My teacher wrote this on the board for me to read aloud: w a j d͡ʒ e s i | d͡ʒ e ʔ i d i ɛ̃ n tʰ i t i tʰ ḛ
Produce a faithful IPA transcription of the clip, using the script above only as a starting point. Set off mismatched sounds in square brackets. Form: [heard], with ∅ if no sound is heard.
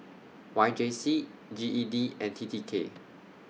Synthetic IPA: w a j d͡ʒ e s i | d͡ʒ [i] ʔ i d i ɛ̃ n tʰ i t i [kʰ] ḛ

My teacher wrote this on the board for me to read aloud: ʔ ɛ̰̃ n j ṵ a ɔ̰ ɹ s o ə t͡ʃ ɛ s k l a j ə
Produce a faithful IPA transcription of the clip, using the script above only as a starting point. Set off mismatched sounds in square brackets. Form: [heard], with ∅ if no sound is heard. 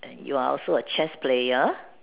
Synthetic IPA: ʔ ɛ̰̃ n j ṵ a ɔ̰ [l] s o ə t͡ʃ ɛ s [p] l [e] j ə

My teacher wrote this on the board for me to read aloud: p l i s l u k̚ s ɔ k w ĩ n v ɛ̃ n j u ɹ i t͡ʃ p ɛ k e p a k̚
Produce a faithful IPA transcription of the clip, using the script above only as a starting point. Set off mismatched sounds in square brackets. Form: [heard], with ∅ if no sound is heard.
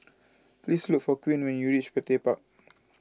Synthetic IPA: p l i s l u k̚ [f] ɔ k w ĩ n [w] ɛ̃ n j u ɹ i t͡ʃ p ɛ [t] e p a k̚

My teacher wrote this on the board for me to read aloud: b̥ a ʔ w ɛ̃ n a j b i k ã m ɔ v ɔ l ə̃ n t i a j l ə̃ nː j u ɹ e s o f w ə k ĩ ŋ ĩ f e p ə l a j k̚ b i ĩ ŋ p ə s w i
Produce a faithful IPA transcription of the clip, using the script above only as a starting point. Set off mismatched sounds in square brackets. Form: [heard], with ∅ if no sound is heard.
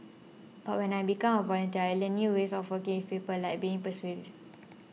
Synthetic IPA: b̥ a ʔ w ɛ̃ n a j b i k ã m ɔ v ɔ l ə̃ n t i a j l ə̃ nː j u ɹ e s [ɔ] f w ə k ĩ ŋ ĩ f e p ə l a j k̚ b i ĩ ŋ p ə s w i

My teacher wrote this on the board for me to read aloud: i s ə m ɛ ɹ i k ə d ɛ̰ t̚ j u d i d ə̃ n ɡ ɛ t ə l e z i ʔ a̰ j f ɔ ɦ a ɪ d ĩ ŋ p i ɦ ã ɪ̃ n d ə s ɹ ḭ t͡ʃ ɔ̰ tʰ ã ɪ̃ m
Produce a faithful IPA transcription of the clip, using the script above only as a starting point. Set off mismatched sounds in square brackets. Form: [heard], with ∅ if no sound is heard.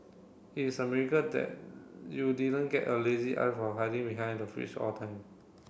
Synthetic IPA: i s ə m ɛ ɹ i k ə d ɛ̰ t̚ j u d i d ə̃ n ɡ ɛ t ə l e z i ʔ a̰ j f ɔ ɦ a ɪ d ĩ ŋ [b] i ɦ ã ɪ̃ n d ə [f] ɹ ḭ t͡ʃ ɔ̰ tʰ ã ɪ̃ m

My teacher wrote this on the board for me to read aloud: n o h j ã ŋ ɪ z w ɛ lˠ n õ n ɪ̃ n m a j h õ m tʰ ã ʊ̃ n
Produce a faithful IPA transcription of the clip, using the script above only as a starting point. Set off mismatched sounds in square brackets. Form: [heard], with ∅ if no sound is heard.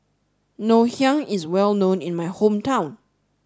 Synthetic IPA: n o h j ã ŋ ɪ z w ɛ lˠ n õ n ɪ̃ n m a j h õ m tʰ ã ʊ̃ n

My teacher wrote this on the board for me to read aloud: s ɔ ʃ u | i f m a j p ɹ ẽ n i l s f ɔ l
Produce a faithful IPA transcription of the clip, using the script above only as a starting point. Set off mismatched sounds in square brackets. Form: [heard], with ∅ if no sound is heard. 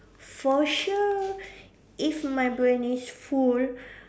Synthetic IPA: [f] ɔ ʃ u | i f m a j [b] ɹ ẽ n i [∅] s f [u] l

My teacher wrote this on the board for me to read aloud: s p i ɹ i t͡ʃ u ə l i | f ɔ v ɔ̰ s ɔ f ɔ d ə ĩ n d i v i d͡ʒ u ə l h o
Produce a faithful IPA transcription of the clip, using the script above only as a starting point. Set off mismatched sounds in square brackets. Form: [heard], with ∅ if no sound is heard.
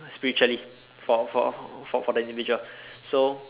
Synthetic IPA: s p i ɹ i t͡ʃ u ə l i | f ɔ [f] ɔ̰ [f] ɔ f ɔ d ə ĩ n d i v i d͡ʒ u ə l [s] o

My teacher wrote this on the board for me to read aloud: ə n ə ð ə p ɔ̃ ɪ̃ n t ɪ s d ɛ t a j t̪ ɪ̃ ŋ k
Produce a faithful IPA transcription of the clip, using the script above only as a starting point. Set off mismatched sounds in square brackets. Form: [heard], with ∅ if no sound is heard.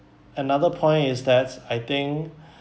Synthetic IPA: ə n [a] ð ə [pʰ] ɔ̃ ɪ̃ n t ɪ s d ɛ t a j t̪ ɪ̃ ŋ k

